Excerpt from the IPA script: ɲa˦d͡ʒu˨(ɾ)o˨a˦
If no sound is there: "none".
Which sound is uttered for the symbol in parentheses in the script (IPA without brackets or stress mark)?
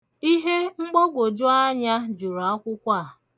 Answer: ɾ